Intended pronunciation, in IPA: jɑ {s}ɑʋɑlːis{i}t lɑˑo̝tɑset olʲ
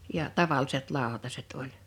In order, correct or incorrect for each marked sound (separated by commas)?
incorrect, incorrect